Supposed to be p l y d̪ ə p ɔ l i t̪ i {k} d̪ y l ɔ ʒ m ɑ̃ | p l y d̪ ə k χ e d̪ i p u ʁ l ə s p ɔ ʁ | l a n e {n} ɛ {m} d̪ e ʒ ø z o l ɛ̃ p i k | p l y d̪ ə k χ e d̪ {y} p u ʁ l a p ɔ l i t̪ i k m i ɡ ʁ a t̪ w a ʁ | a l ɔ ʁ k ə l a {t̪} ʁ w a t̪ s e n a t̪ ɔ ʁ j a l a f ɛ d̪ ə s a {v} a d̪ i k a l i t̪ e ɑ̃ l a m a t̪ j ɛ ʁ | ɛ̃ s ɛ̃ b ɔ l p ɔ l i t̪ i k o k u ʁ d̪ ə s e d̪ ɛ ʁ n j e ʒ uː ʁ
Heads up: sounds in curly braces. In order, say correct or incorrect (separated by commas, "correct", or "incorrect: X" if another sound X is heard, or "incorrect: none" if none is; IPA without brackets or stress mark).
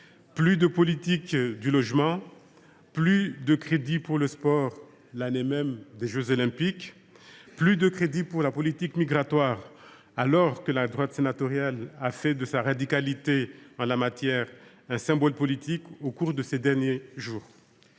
correct, incorrect: m, correct, incorrect: i, incorrect: d̪, incorrect: ʁ